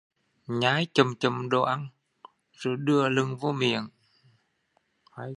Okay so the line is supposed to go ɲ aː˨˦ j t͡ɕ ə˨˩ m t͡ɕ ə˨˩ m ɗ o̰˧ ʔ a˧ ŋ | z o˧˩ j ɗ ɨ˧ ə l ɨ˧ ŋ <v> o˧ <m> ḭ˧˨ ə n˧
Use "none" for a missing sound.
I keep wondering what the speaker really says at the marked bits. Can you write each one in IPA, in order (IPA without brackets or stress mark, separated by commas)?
v, m